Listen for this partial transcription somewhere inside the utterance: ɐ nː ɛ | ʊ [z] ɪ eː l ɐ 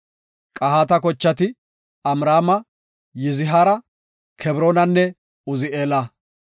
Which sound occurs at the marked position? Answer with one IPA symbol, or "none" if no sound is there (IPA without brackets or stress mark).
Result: z